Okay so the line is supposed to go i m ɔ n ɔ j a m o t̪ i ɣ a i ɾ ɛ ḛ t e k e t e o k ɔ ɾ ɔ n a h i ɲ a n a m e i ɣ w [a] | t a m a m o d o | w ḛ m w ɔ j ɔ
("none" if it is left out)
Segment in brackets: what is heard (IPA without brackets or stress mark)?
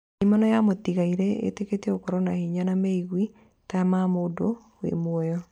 i